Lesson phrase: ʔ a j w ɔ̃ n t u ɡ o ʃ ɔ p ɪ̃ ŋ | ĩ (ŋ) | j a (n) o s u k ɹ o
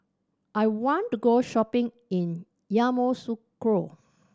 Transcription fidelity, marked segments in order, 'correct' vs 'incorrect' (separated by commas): incorrect, incorrect